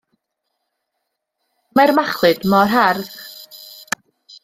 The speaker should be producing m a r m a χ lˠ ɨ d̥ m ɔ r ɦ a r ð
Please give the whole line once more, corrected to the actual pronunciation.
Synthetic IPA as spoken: m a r m a χ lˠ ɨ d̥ m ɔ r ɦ a r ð